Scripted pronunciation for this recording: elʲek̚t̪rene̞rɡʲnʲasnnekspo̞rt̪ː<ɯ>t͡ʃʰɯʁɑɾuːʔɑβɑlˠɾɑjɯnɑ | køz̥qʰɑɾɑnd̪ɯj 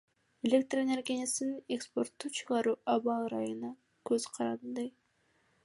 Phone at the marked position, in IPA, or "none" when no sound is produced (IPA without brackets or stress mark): u